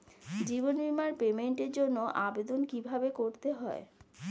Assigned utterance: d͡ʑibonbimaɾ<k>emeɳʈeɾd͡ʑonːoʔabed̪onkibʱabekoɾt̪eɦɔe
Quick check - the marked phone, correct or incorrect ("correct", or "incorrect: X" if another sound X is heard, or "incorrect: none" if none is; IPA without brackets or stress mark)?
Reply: incorrect: p